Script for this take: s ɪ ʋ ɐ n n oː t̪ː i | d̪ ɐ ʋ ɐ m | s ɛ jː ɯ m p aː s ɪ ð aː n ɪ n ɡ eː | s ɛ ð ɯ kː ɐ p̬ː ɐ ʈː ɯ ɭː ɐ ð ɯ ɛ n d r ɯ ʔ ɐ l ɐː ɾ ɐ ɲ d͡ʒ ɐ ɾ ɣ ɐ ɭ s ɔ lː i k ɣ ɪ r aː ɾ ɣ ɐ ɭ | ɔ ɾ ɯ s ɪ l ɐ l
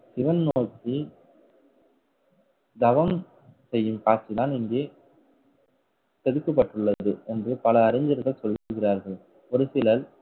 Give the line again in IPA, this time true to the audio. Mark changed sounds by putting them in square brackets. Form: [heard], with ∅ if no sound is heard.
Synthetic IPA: s ɪ ʋ ɐ n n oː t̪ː i | d̪ ɐ ʋ ɐ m | s ɛ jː ɯ m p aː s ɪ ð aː n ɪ [ŋ] ɡ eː | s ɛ ð ɯ kː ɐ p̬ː ɐ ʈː ɯ ɭː ɐ ð ɯ ɛ n d r ɯ [p] ɐ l ɐː ɾ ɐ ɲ d͡ʒ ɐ ɾ ɣ ɐ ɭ s ɔ lː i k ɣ ɪ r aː ɾ ɣ ɐ ɭ | ɔ ɾ ɯ s ɪ l ɐ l

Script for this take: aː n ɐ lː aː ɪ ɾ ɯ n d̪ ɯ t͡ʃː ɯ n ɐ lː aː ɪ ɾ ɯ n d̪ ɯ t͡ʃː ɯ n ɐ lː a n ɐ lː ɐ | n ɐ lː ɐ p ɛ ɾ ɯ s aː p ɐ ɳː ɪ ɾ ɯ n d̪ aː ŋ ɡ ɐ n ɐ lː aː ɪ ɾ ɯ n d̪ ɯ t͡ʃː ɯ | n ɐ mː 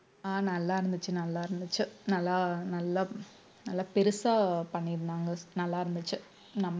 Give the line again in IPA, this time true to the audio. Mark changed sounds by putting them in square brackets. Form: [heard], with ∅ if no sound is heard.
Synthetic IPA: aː n ɐ lː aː ɪ ɾ ɯ n d̪ ɯ t͡ʃː ɯ n ɐ lː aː ɪ ɾ ɯ n d̪ ɯ t͡ʃː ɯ n ɐ lː a n ɐ lː ɐ | n ɐ lː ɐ p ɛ ɾ ɯ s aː p ɐ ɳː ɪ ɾ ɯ n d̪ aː ŋ ɡ ɐ n ɐ lː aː ɪ ɾ ɯ n d̪ ɯ t͡ʃː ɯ | n ɐ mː

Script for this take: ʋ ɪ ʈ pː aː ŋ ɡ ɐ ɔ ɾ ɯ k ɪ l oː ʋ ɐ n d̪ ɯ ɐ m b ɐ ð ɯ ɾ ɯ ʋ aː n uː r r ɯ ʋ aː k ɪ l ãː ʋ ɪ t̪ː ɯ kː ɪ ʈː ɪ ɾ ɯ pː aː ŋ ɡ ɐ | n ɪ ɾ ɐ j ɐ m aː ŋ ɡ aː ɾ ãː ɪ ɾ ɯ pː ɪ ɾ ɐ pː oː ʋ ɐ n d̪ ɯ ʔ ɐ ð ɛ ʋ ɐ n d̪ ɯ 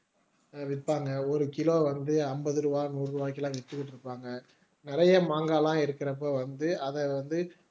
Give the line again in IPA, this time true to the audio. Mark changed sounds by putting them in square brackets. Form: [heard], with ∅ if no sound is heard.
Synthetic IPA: ʋ ɪ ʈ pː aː ŋ ɡ ɐ ɔ ɾ ɯ k ɪ l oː ʋ ɐ n d̪ ɯ ɐ m b ɐ ð ɯ ɾ ɯ ʋ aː n uː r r ɯ ʋ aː k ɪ l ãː ʋ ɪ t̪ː ɯ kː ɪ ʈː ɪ ɾ ɯ pː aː ŋ ɡ ɐ | n ɪ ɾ ɐ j ɐ m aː ŋ ɡ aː [l] ãː ɪ ɾ ɯ [kː] ɪ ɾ ɐ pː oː ʋ ɐ n d̪ ɯ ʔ ɐ ð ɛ ʋ ɐ n d̪ ɯ

